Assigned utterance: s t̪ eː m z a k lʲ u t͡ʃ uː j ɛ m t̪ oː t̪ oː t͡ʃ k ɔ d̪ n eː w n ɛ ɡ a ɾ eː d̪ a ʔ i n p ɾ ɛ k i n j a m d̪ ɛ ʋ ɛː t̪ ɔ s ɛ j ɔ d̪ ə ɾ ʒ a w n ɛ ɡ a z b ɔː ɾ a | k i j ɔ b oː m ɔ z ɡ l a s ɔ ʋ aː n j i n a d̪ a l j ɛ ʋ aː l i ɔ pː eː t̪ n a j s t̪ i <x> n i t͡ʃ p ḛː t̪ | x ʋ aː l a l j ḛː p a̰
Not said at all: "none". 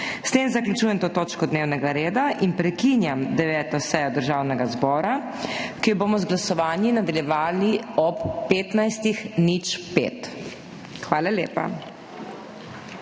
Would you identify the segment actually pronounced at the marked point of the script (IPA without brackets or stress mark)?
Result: x